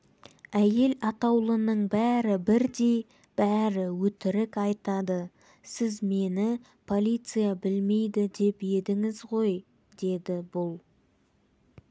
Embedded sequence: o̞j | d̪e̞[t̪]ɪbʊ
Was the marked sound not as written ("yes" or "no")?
yes